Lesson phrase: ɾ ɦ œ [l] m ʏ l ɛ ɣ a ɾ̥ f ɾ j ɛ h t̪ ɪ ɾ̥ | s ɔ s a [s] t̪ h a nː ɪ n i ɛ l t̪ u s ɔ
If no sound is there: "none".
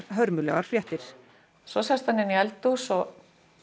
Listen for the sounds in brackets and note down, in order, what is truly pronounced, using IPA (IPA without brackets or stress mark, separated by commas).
ɾ, s